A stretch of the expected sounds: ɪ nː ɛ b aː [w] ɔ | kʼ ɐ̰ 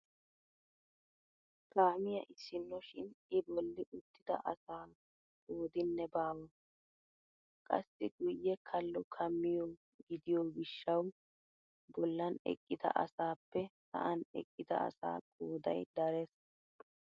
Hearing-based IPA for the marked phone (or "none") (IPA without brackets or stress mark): w